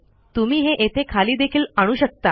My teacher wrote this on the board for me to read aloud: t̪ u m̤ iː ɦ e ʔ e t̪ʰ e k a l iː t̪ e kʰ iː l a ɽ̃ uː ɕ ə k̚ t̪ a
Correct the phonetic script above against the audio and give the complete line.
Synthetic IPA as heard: t̪ u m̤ iː ɦ e ʔ e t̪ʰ e kʰ a l iː d̪ e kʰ iː l a ɽ̃ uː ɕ ə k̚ t̪ a